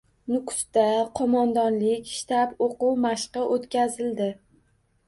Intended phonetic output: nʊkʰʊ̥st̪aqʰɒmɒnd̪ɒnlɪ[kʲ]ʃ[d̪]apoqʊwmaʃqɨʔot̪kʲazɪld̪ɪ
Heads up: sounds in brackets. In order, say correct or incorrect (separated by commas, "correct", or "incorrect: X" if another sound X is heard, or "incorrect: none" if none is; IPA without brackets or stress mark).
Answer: correct, incorrect: t̪